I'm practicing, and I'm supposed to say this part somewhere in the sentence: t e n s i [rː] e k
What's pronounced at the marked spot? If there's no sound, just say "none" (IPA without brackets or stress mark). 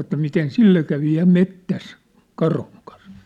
lː